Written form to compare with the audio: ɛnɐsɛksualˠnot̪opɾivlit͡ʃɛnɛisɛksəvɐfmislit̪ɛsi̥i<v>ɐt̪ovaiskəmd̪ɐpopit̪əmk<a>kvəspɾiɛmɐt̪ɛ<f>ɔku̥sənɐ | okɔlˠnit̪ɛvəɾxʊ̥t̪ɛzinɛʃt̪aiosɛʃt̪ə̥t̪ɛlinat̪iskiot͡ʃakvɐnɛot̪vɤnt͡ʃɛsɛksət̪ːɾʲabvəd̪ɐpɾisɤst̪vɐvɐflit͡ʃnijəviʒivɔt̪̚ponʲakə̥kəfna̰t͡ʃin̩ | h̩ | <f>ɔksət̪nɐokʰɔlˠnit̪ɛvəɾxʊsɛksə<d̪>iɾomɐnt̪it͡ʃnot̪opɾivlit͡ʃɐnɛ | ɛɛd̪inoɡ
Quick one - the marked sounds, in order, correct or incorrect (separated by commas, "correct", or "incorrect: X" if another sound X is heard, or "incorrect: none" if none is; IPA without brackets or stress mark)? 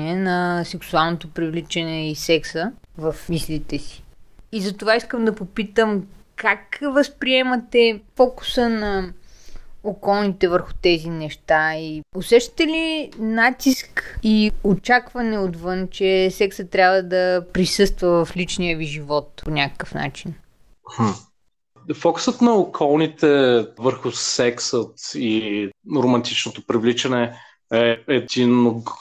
incorrect: z, correct, correct, correct, incorrect: t̪